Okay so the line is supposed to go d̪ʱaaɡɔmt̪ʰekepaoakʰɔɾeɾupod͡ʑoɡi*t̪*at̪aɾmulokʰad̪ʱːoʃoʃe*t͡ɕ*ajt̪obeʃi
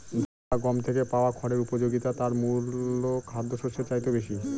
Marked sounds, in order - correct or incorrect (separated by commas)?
correct, correct